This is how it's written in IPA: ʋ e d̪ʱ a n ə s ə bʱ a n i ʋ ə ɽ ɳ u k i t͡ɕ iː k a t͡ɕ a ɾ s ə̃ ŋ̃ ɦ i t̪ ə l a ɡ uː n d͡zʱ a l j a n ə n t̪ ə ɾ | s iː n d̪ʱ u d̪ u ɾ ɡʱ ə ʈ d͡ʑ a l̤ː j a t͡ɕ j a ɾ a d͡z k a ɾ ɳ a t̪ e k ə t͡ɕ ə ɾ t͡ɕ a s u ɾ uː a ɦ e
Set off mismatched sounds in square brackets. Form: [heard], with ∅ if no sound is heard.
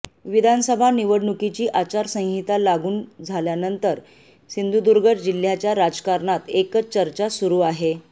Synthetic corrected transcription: ʋ [i] d̪ʱ a n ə s ə bʱ a n i ʋ ə ɽ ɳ u k i t͡ɕ iː [ʔ] a t͡ɕ a ɾ s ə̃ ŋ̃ ɦ i t̪ [a] l a ɡ uː n d͡zʱ a l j a n ə n t̪ ə ɾ | s [i] n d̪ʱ u d̪ u ɾ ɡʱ ə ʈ d͡ʑ [i] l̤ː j a t͡ɕ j a ɾ a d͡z k a ɾ ɳ a t̪ e k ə t͡ɕ ə ɾ t͡ɕ a s u ɾ uː a ɦ e